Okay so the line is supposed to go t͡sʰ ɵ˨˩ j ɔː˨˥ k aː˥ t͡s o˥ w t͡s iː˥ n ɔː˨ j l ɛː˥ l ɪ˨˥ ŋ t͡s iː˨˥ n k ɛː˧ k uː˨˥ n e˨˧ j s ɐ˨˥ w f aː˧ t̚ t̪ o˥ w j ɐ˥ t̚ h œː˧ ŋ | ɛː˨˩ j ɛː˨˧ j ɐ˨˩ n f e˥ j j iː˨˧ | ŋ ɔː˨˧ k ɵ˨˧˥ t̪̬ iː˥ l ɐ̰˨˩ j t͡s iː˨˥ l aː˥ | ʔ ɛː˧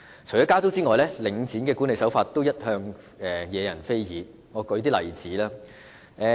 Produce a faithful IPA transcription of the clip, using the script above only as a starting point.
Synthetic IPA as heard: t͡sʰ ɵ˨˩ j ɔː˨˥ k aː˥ t͡s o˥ w t͡s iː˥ ŋ ɔː˨ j l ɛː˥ l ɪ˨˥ ŋ t͡s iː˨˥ n k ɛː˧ k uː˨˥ n e˨˧ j s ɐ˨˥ w f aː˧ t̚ t̪ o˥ w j ɐ˥ t̚ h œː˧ ŋ | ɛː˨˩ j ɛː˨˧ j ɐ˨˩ n f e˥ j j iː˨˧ | ŋ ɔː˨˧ k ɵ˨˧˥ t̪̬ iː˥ l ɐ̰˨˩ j t͡s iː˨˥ l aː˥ | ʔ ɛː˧